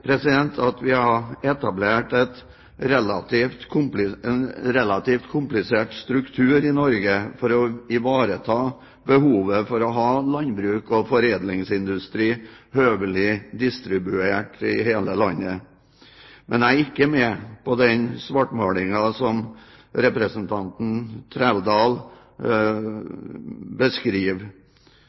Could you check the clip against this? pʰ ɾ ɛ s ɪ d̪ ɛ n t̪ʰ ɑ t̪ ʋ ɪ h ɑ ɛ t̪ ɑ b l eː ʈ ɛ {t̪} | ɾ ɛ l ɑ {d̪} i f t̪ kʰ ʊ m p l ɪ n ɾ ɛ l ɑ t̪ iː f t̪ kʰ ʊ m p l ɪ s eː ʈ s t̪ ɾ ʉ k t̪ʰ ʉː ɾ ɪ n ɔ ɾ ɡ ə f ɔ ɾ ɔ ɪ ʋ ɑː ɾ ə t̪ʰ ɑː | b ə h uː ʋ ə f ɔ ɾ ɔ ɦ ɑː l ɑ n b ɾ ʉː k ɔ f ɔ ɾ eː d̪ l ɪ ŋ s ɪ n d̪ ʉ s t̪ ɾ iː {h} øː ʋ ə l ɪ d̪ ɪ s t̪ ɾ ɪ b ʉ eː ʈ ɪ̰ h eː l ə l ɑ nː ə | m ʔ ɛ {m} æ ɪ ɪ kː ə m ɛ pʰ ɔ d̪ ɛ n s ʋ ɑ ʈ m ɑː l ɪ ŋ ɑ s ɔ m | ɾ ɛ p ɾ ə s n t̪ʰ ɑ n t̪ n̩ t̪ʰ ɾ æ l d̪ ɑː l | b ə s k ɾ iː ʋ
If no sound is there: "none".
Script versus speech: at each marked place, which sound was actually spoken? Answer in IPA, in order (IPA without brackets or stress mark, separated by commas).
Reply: t̪, t̪, h, n